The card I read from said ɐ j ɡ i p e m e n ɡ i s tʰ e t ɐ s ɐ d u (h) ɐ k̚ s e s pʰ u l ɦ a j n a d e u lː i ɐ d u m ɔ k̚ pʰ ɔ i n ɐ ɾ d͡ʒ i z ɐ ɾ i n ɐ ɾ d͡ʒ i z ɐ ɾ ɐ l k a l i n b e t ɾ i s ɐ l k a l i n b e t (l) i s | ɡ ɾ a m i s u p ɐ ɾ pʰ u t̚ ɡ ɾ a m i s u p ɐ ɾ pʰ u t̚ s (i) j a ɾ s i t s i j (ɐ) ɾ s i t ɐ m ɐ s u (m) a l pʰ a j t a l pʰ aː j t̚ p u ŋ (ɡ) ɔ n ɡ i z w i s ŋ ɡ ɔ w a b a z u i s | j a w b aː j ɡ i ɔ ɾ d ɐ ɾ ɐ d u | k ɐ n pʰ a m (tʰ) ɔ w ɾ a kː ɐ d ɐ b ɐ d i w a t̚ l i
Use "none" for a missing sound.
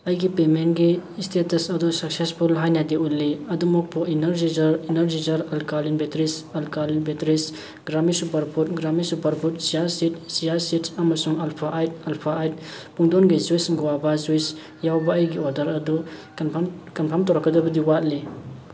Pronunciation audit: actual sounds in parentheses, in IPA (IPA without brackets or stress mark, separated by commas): s, ɾ, i, a, ŋ, d, t